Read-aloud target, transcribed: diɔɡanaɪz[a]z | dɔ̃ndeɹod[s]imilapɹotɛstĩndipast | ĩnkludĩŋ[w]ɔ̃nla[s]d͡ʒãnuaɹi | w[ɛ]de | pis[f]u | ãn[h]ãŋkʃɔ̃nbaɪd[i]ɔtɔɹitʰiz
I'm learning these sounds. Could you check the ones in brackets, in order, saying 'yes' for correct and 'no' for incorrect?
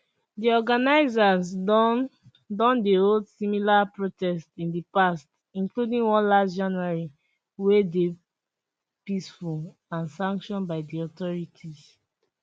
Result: yes, yes, yes, yes, no, yes, no, yes

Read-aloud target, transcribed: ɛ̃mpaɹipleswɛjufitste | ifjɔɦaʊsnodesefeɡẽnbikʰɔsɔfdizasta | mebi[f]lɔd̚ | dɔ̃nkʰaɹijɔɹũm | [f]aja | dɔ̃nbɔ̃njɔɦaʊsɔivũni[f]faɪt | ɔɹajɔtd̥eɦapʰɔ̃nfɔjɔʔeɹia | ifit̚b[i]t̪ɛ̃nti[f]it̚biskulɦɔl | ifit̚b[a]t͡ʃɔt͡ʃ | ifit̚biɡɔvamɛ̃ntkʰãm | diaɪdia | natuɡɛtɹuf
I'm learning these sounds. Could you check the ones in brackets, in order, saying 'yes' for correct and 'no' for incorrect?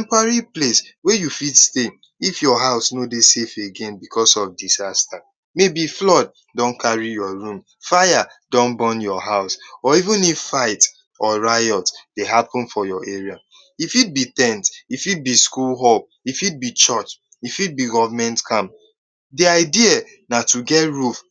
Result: yes, yes, yes, yes, yes, no

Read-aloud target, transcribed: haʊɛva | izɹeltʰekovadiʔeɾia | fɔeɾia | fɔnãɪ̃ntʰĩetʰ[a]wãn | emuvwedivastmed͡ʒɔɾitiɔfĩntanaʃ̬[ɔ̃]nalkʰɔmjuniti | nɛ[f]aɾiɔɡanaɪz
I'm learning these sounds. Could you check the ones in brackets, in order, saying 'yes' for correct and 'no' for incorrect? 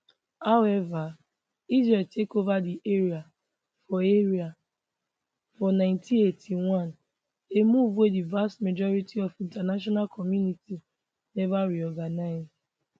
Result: no, no, no

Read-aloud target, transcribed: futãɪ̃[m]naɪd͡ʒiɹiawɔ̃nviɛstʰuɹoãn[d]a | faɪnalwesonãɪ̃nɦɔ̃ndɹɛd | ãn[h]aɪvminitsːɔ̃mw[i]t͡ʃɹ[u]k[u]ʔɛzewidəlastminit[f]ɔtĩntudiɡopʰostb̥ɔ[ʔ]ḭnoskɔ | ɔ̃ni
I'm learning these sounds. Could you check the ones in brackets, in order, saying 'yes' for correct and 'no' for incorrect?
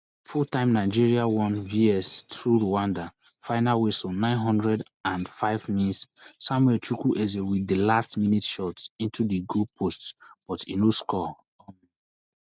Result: yes, yes, no, no, yes, yes, no, no

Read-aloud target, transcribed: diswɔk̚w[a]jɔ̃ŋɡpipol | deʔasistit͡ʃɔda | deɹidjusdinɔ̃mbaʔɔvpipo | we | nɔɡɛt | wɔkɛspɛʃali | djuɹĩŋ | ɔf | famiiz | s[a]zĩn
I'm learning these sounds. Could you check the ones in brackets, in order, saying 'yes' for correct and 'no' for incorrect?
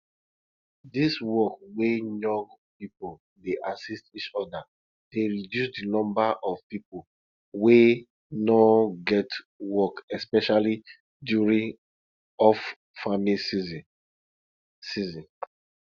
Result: no, no

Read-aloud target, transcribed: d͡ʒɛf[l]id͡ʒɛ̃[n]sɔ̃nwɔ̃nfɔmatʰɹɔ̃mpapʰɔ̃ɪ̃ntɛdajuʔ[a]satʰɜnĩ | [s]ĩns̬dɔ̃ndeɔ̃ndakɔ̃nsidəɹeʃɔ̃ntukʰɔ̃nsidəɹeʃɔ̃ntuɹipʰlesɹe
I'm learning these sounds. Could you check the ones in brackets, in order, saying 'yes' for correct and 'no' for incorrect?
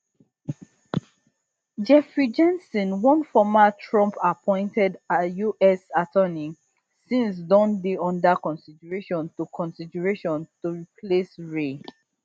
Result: no, yes, no, yes

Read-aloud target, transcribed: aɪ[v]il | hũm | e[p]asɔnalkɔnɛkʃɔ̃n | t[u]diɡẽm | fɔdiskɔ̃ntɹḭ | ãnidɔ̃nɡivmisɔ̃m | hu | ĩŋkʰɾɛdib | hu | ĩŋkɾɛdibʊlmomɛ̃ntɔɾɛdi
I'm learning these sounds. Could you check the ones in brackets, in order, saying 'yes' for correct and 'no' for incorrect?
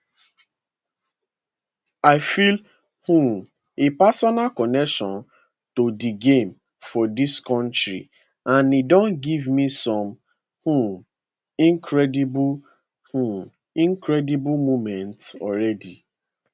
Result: no, yes, no

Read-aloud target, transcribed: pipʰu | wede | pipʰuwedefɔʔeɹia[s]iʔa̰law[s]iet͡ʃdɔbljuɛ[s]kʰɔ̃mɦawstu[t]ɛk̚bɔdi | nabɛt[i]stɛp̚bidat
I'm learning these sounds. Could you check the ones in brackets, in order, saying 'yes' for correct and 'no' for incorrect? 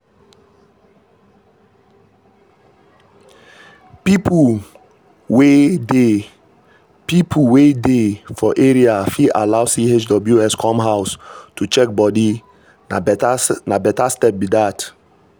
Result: no, yes, yes, no, no

